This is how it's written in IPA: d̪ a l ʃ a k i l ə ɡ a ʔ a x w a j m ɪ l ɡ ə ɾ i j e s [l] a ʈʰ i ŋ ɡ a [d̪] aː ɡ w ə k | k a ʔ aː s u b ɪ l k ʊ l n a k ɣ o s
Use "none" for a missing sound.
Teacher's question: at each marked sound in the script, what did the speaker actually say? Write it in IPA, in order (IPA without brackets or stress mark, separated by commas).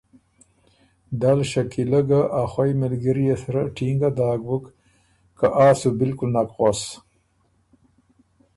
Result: ɾ, d̪